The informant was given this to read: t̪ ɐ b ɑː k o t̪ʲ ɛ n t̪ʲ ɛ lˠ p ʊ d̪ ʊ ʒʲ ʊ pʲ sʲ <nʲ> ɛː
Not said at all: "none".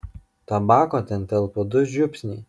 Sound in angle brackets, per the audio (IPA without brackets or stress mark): nʲ